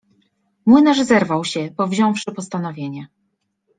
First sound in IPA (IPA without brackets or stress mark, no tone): m